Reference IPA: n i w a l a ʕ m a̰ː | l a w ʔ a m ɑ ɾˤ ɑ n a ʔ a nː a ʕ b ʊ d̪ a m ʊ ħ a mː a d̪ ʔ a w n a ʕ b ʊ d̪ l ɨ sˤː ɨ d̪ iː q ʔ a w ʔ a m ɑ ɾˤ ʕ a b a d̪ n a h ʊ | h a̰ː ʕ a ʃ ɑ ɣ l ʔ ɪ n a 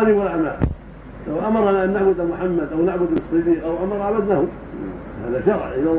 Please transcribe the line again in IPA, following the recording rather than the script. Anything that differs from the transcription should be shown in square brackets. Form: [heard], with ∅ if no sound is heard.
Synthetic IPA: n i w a l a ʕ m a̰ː | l a w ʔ a m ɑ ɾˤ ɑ n a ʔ a nː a ʕ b ʊ d̪ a m ʊ ħ a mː a d̪ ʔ a w n a ʕ b ʊ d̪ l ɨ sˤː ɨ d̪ iː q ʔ a w ʔ a m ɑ ɾˤ ʕ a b a d̪ n a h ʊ | h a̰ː [ð] a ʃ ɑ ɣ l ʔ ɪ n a